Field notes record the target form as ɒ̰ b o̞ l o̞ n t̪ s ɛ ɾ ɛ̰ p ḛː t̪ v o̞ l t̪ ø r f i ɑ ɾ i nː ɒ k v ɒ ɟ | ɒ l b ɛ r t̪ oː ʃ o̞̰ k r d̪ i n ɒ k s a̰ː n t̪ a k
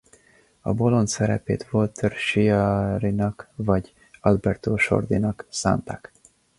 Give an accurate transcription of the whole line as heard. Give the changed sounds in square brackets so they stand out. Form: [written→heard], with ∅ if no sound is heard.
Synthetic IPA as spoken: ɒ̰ b o̞ l o̞ n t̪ s ɛ ɾ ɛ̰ p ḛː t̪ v o̞ l t̪ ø r [f→ʃ] i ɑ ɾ i [nː→n] ɒ k v ɒ ɟ | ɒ l b ɛ r t̪ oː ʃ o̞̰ [k→∅] r d̪ i n ɒ k s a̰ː n t̪ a k